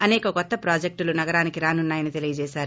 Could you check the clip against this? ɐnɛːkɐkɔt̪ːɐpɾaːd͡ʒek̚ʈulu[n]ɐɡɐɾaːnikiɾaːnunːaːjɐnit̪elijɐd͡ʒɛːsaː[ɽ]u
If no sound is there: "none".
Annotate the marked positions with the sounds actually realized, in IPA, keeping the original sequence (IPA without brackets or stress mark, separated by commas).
n, ɾ